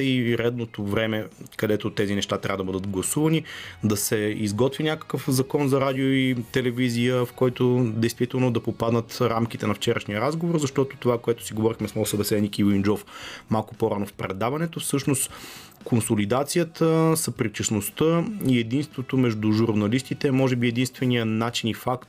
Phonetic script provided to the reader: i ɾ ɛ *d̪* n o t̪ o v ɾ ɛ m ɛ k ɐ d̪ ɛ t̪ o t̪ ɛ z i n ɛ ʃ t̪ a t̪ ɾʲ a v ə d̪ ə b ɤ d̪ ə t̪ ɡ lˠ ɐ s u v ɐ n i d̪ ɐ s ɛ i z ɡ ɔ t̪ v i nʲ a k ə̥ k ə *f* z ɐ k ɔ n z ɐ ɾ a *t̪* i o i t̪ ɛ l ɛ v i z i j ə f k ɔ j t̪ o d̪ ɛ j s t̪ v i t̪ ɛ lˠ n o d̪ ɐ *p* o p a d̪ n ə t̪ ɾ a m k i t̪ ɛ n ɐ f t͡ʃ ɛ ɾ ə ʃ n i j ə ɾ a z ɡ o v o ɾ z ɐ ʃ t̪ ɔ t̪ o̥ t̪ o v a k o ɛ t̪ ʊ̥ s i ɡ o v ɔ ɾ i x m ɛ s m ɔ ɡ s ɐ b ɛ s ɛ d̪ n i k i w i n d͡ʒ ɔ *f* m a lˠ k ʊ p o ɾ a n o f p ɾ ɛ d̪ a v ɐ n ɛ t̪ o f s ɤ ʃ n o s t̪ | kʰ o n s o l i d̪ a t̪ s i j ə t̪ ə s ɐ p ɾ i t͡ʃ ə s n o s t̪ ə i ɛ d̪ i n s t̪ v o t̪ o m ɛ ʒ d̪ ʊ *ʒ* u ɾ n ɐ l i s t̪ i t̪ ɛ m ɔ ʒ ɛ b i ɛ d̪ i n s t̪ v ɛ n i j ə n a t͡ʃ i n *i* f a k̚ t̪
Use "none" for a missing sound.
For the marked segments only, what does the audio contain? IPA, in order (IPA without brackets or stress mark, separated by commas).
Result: d̪, f, d̪, p, f, ʒ, i